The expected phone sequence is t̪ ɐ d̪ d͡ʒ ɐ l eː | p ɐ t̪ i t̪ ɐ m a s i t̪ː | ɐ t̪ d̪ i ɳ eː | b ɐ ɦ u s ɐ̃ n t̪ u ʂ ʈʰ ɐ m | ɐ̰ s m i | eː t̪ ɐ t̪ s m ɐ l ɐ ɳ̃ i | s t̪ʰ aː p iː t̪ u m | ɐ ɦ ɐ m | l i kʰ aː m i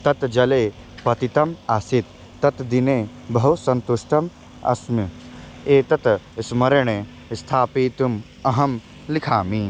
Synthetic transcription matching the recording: t̪ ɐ t̪ d͡ʒ ɐ l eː | p ɐ t̪ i t̪ ɐ m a s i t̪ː | ɐ t̪ d̪ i n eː | b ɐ ɦ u s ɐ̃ n t̪ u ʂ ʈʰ ɐ m | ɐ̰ s m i | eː t̪ ɐ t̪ s m ɐ ɾ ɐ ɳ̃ e | s t̪ʰ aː p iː t̪ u m | ɐ ɦ ɐ m | l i kʰ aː m i